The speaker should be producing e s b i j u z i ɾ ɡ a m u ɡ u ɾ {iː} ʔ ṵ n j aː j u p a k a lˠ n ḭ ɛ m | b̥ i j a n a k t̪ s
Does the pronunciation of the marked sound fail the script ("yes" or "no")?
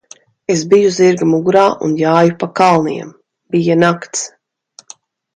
yes